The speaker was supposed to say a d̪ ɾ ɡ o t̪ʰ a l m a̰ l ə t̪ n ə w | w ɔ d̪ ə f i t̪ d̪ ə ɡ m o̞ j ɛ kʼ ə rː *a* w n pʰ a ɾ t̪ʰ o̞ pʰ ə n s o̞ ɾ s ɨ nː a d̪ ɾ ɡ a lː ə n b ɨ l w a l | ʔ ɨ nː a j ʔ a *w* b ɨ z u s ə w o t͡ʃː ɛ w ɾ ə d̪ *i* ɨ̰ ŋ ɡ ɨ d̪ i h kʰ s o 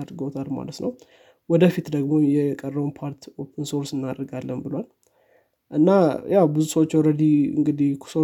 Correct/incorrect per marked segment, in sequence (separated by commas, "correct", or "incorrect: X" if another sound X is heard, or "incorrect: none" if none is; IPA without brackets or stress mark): incorrect: ə, correct, correct